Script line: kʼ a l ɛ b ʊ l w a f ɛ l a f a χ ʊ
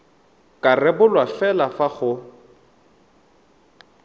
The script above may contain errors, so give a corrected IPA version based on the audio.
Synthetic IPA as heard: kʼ a r ɛ b ʊ l w a f ɛ l a f a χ ʊ